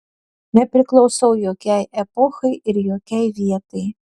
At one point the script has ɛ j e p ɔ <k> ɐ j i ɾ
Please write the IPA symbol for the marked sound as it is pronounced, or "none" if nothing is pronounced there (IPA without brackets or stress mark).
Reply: x